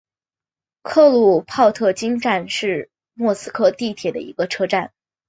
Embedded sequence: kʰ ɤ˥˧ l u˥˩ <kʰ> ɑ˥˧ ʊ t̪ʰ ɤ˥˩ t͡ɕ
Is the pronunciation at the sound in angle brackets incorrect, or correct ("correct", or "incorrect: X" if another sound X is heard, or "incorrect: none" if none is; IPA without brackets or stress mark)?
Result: incorrect: pʰ